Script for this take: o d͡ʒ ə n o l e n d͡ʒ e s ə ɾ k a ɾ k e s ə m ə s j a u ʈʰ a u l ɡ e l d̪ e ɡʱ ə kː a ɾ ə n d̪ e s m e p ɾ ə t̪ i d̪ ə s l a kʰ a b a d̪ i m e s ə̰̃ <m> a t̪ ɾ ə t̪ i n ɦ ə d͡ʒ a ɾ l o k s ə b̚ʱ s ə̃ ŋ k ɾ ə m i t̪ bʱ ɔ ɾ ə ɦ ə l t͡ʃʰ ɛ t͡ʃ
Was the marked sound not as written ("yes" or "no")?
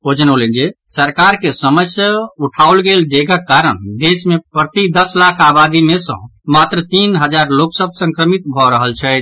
no